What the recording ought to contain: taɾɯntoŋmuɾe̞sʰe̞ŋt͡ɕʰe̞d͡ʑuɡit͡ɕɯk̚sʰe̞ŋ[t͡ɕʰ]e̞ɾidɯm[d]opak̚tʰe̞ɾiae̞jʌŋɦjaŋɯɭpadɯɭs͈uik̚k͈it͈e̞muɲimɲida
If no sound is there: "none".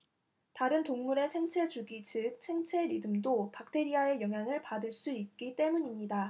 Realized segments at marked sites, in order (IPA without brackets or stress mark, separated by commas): t͡ɕʰ, d